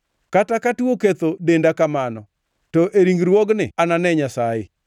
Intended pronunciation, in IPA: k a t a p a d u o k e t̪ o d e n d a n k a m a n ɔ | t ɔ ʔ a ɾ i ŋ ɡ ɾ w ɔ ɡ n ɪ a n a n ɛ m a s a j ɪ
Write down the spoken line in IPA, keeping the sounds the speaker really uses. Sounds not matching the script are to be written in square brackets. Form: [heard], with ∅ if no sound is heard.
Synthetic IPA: k a t a [k] a [t] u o k e t̪ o d e n d a [∅] k a m a n ɔ | t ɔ ʔ [e] ɾ i ŋ ɡ ɾ w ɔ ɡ n ɪ a n a n ɛ [ɲ] a s a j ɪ

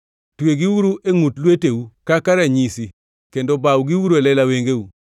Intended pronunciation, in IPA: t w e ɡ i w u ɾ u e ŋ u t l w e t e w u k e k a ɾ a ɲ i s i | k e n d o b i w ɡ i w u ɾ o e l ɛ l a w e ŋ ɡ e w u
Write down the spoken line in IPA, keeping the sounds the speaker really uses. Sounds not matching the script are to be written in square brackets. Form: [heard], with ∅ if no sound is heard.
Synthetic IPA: t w e ɡ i w u ɾ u e ŋ u t l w e t e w u k [a] k a ɾ a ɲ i s i | k e n d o b [a] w ɡ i w u ɾ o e l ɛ l a w e ŋ ɡ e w u

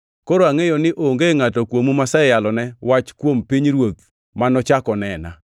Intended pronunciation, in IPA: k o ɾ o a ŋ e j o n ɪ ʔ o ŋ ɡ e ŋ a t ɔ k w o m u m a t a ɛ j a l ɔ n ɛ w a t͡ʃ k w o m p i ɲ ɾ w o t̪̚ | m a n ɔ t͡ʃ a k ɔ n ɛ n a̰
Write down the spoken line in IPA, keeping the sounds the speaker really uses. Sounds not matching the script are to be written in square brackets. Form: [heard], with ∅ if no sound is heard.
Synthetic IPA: k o ɾ o a ŋ e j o n ɪ ʔ o ŋ ɡ e ŋ a t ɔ k w o m u m a [s] a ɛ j a l ɔ n ɛ w a t͡ʃ k w o m p i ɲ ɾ w o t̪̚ | m a n ɔ t͡ʃ a k ɔ n ɛ n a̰

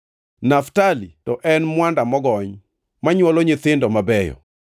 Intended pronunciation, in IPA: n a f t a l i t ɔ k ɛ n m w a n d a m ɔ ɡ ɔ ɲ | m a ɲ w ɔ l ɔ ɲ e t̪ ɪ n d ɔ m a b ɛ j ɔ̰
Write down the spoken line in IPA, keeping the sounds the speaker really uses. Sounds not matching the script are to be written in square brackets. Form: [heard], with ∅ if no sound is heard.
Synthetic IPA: n a f t a l i t ɔ [ʔ] ɛ n m w a n d a m ɔ ɡ ɔ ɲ | m a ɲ w ɔ l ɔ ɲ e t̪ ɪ n d ɔ m a b ɛ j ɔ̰

